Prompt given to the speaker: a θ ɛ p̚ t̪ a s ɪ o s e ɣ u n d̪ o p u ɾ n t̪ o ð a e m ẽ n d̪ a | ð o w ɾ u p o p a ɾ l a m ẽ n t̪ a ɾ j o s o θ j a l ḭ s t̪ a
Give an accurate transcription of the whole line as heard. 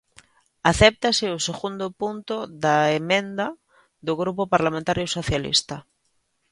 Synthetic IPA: a θ ɛ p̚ t̪ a s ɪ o s e ɣ u n d̪ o p u n t̪ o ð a e m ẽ n d̪ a | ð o ɣ ɾ u p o p a ɾ l a m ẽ n t̪ a ɾ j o s o θ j a l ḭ s t̪ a